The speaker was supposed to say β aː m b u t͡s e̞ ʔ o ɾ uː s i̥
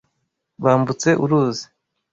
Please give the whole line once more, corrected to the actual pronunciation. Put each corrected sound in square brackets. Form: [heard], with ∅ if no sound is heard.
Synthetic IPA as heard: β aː m b u t͡s e̞ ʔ [u] ɾ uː [z] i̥